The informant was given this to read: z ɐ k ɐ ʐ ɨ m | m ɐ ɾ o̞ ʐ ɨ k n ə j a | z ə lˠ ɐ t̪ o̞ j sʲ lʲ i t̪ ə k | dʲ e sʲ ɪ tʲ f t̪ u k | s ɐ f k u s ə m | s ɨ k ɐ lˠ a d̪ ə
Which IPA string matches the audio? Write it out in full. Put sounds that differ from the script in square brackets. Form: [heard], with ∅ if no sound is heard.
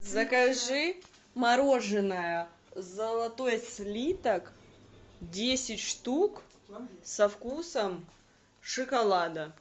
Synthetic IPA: z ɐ k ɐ ʐ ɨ [∅] | m ɐ ɾ o̞ ʐ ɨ [∅] n ə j [ə] | z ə lˠ ɐ t̪ o̞ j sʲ lʲ i t̪ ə k | dʲ e sʲ ɪ tʲ [ʂ] t̪ u k | s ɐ f k u s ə m | [ʂ] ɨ k ɐ lˠ a d̪ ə